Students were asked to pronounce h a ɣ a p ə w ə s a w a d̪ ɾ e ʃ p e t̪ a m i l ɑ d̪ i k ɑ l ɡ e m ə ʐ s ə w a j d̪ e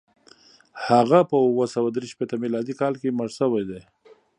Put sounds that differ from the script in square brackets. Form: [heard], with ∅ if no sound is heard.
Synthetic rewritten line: h a ɣ a p ə w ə s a w a d̪ ɾ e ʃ p e t̪ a m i l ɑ d̪ i k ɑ l [k] e m ə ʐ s ə w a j d̪ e